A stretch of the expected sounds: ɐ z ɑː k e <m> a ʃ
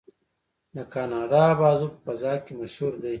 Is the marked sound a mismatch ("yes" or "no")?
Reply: no